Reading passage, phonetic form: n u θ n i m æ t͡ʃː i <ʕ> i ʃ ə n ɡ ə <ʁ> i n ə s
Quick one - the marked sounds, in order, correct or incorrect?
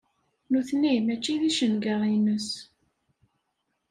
incorrect: ð, correct

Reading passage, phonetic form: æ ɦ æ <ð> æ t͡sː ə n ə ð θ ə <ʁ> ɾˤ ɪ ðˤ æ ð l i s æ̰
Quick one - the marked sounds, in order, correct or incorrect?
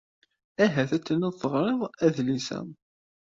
incorrect: θ, correct

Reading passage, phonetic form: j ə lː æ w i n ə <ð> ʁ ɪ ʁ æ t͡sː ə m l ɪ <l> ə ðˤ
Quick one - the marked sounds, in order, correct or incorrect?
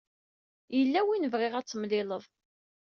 incorrect: v, correct

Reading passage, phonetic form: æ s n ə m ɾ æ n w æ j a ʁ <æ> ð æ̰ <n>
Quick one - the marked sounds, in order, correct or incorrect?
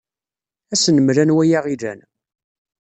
incorrect: i, correct

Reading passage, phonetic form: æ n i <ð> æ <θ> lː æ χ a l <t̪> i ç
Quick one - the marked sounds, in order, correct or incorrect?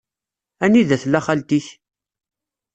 correct, correct, correct

